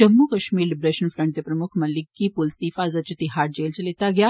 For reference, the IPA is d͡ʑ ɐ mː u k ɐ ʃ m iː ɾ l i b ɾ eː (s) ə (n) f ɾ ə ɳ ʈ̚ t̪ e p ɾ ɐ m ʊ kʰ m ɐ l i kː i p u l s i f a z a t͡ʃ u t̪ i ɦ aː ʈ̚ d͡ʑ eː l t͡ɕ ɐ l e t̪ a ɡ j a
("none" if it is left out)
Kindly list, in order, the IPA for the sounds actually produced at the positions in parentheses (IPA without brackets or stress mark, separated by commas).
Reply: ʃ, n